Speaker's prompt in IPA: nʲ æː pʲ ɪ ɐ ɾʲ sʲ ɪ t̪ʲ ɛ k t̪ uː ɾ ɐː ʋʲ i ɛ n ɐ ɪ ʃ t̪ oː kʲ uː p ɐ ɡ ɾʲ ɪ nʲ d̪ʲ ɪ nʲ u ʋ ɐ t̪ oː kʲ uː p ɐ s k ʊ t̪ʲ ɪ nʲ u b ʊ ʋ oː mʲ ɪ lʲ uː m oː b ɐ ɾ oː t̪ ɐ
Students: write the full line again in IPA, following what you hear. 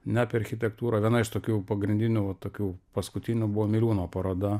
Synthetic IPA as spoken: nʲ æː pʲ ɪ ɐ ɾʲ xʲ ɪ t̪ʲ ɛ k t̪ uː ɾ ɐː ʋʲ i ɛ n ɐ ɪ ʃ t̪ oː kʲ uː p ɐ ɡ ɾʲ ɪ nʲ d̪ʲ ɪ nʲ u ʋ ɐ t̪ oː kʲ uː p ɐ s k ʊ t̪ʲ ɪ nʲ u b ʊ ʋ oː mʲ ɪ lʲ uː n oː p ɐ ɾ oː d̪ ɐ